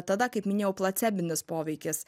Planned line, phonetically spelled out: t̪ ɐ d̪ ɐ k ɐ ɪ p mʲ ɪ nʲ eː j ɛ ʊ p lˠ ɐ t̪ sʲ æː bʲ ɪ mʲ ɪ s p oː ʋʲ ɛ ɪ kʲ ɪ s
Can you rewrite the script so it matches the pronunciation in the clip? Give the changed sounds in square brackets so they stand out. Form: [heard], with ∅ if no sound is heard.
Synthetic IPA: t̪ ɐ d̪ ɐ k ɐ ɪ p mʲ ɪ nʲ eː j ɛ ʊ p lˠ ɐ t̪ sʲ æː bʲ ɪ [nʲ] ɪ s p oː ʋʲ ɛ ɪ kʲ ɪ s